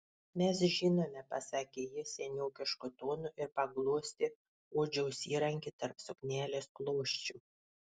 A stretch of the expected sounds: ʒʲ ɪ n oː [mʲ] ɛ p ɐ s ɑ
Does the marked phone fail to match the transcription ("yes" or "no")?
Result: no